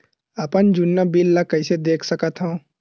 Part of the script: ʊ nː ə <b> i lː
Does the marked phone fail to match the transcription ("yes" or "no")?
no